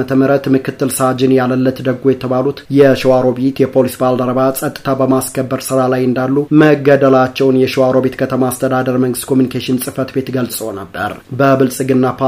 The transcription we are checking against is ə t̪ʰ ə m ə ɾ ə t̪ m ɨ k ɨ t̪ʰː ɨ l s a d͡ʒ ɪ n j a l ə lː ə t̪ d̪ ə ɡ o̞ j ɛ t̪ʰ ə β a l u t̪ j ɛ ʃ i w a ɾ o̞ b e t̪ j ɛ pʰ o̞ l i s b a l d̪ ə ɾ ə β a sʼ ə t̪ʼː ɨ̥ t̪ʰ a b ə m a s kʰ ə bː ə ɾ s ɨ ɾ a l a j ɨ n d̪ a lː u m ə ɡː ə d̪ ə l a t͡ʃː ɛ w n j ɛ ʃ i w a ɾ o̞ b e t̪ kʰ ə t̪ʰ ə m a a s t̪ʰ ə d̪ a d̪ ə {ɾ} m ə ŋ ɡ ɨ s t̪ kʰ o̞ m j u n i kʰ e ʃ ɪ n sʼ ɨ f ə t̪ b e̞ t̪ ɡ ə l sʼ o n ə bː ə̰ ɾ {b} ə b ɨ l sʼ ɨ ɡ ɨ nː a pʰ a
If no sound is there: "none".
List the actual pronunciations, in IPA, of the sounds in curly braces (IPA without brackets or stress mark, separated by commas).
ɾ, b